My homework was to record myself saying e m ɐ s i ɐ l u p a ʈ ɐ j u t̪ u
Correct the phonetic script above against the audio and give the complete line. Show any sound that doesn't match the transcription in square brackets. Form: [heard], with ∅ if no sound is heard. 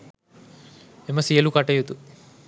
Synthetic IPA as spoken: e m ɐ s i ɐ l u [k] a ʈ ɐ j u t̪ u